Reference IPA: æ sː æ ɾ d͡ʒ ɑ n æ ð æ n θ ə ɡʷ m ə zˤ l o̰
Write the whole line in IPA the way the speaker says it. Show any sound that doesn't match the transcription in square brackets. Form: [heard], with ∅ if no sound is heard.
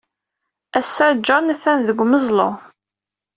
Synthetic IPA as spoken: æ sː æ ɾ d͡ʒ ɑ n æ [θ] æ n [ð] ə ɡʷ m ə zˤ l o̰